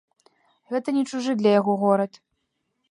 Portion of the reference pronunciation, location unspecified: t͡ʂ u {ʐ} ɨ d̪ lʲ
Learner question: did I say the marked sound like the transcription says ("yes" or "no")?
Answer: yes